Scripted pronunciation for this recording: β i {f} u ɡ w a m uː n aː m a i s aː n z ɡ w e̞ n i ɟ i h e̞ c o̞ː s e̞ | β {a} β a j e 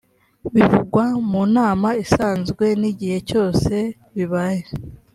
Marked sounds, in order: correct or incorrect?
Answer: incorrect: v, incorrect: i

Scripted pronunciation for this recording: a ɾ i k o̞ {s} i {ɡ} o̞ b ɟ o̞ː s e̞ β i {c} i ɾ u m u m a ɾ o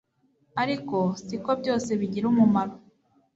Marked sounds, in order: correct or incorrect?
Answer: correct, incorrect: k, incorrect: ɟ

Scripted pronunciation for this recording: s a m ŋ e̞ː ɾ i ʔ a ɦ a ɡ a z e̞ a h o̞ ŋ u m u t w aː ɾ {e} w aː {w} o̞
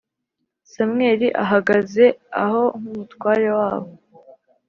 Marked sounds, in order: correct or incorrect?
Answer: correct, incorrect: β

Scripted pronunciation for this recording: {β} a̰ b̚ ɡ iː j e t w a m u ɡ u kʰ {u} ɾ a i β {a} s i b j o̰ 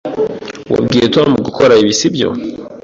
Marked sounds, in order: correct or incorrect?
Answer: incorrect: w, incorrect: o, incorrect: i

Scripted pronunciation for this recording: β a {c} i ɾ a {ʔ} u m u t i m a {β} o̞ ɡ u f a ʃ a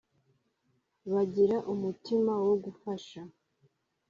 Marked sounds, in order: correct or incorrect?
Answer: incorrect: ɟ, correct, incorrect: w

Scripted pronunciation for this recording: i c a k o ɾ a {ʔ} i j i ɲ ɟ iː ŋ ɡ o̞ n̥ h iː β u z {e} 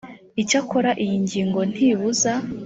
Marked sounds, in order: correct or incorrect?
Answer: correct, incorrect: a

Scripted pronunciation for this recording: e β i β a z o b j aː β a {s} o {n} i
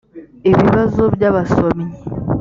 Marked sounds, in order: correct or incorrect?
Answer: correct, incorrect: m

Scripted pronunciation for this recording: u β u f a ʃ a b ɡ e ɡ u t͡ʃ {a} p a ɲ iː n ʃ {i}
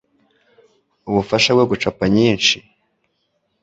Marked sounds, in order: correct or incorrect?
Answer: correct, correct

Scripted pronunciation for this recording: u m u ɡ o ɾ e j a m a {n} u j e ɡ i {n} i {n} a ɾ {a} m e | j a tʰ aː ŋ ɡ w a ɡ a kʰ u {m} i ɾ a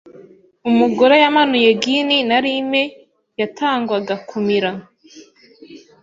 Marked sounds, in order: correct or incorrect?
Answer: correct, correct, correct, incorrect: i, correct

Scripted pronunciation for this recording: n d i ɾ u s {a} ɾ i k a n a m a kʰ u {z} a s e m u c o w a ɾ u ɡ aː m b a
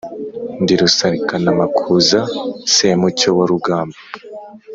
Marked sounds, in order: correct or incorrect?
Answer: correct, correct

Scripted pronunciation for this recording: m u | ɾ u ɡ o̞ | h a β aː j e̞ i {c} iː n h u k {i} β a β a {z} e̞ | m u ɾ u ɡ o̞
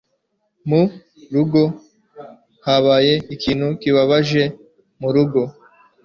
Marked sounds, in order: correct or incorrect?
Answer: incorrect: k, correct, incorrect: ʒ

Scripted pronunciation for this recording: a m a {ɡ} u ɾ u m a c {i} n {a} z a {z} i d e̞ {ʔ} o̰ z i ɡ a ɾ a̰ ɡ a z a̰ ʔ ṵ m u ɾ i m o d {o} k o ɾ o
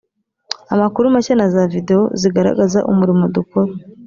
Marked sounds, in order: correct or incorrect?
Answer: incorrect: k, incorrect: a, correct, incorrect: v, incorrect: none, incorrect: u

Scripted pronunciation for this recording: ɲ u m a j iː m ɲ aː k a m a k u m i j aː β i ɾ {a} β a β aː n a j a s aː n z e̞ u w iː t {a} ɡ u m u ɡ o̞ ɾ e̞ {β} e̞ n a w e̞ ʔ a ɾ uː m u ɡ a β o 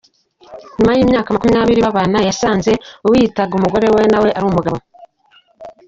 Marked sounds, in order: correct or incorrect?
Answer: incorrect: i, correct, incorrect: w

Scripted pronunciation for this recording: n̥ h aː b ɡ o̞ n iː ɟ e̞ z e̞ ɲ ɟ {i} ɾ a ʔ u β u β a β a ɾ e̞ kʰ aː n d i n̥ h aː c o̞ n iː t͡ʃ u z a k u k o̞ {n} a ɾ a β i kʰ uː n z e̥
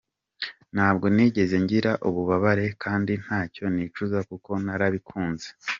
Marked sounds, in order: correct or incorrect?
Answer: correct, correct

